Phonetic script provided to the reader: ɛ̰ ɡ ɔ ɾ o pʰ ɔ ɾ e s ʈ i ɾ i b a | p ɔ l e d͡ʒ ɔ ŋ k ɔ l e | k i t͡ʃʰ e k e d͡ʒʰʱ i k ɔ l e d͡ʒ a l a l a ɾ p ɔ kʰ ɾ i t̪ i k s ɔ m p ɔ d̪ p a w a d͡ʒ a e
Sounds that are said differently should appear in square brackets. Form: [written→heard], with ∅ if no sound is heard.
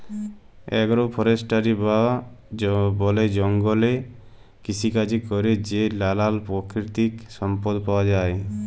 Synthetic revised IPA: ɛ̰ ɡ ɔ ɾ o pʰ ɔ ɾ e s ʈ [i→a] ɾ i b a | [p→b] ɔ l e d͡ʒ ɔ ŋ [k→ɡ] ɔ l e | k i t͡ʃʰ [e→i] k [e→a] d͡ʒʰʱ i k ɔ [l→ɾ] e d͡ʒ [a→e] l a l a [ɾ→l] p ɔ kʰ ɾ i t̪ i k s ɔ m p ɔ d̪ p a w a d͡ʒ a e

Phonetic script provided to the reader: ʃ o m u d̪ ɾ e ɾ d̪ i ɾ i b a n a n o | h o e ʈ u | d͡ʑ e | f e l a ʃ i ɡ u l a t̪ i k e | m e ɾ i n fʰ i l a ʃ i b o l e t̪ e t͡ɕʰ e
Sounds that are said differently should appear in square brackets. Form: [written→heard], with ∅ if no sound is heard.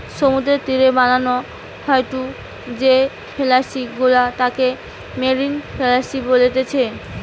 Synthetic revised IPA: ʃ o m u d̪ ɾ e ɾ [d̪→t̪] i ɾ [i→e] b a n a n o | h [o→ɔ] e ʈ u | d͡ʑ e | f e l a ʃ i ɡ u l a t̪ [i→a] k e | m e ɾ i n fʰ [i→e] l a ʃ i b o l e t̪ e t͡ɕʰ e

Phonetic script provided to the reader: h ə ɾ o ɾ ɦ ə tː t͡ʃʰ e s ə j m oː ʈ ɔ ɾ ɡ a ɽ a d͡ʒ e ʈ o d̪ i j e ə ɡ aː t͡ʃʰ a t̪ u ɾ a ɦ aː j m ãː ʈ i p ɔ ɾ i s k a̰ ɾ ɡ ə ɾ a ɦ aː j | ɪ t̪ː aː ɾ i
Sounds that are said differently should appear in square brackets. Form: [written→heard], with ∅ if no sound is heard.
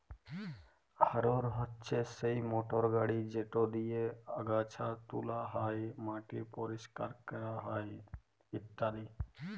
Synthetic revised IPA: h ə ɾ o ɾ ɦ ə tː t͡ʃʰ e s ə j m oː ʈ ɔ ɾ ɡ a ɽ [a→i] d͡ʒ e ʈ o d̪ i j e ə ɡ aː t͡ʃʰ a t̪ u [ɾ→l] a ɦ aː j m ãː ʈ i p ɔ ɾ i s k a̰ ɾ [ɡ→k] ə ɾ a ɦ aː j | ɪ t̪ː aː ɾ i

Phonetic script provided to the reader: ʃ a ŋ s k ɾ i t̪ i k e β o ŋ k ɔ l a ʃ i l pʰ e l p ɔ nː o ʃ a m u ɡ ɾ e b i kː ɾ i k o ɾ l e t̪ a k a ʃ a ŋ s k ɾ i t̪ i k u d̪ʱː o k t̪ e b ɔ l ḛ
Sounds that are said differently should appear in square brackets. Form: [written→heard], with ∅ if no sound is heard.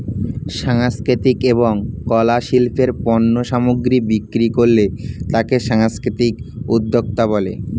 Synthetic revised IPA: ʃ a ŋ s k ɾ i t̪ i k e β o ŋ k ɔ l a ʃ i l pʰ e [l→ɾ] p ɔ nː o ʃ a m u ɡ ɾ [e→i] b i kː ɾ i k o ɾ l e t̪ a k [a→e] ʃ a ŋ s k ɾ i t̪ i k u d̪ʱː o k t̪ [e→a] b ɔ l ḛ

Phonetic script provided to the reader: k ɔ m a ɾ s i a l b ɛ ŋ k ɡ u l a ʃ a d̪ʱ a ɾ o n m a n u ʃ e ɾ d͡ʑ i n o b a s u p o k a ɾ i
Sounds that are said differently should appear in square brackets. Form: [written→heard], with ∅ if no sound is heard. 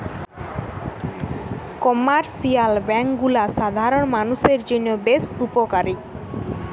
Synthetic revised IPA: k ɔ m a ɾ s i a l b ɛ ŋ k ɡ u l a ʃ a d̪ʱ a ɾ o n m a n u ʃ e ɾ d͡ʑ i n o b [a→e] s u p o k a ɾ i

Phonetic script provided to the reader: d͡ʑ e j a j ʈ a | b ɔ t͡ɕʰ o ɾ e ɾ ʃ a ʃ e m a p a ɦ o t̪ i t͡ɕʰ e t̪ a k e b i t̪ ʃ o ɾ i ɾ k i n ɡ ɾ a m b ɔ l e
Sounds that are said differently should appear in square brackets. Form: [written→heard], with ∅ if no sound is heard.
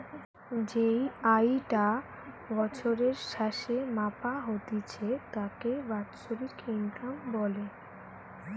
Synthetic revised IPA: d͡ʑ e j a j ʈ a | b ɔ t͡ɕʰ o ɾ e ɾ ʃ a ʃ e m a p a ɦ o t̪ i t͡ɕʰ e t̪ a k e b [i→a] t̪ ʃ o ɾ i ɾ k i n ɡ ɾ a m b ɔ l e

